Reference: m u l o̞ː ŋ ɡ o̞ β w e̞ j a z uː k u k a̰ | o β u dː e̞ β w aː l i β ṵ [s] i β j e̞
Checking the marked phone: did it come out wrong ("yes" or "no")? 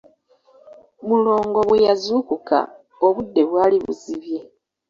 yes